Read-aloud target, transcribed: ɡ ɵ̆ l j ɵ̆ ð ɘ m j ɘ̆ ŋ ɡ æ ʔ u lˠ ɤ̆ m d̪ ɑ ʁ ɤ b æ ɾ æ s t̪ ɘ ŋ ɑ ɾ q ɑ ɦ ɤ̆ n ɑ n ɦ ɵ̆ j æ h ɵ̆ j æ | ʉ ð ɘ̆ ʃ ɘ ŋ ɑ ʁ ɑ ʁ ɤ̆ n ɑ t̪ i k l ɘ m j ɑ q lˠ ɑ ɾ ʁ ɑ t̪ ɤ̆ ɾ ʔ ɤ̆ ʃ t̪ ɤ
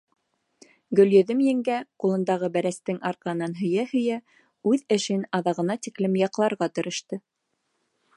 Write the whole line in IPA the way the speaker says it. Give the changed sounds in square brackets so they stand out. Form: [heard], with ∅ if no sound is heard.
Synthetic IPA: ɡ ɵ̆ l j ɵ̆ ð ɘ m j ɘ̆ ŋ ɡ æ [q] u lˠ ɤ̆ [n] d̪ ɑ ʁ ɤ b æ ɾ æ s t̪ ɘ ŋ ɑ ɾ q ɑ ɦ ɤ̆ n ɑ n ɦ ɵ̆ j æ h ɵ̆ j æ | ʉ ð ɘ̆ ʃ ɘ [n] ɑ [ð] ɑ ʁ ɤ̆ n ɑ t̪ i k l ɘ m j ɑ q lˠ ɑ ɾ ʁ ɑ t̪ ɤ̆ ɾ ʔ ɤ̆ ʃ t̪ ɤ